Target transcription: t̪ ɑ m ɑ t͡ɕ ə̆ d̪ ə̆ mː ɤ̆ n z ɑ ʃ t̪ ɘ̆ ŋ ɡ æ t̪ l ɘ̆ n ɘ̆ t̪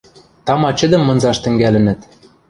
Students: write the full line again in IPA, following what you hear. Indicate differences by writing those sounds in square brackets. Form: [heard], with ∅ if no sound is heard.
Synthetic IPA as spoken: t̪ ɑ m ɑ t͡ɕ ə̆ d̪ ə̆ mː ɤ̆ n z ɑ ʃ t̪ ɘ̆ ŋ ɡ æ [∅] l ɘ̆ n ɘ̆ t̪